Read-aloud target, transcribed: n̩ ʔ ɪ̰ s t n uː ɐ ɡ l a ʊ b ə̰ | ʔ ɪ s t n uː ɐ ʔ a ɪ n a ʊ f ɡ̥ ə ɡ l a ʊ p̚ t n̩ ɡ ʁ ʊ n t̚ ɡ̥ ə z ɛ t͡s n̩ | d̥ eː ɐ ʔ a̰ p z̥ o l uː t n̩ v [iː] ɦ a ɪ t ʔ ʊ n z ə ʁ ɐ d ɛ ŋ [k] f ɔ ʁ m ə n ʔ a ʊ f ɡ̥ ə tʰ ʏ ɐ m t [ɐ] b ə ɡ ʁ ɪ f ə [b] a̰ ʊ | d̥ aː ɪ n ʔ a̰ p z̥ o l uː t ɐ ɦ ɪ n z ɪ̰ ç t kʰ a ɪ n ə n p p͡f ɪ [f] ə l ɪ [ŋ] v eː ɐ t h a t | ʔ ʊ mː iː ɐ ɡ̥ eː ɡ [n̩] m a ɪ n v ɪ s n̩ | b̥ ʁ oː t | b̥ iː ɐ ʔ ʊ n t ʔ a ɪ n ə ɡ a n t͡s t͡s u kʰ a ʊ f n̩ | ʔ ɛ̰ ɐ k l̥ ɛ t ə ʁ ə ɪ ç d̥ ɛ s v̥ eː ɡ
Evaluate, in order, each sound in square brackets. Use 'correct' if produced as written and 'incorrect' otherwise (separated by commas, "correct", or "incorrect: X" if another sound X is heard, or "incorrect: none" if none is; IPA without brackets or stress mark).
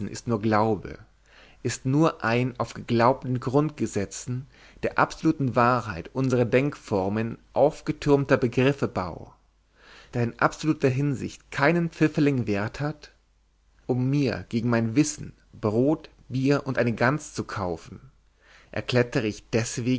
incorrect: aː, correct, correct, correct, correct, correct, incorrect: ŋ̩